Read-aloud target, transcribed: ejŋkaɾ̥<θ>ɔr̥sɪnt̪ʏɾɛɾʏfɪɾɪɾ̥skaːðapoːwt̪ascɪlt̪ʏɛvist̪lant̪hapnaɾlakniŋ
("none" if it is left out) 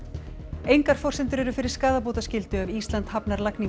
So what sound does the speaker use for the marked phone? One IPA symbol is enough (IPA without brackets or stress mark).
f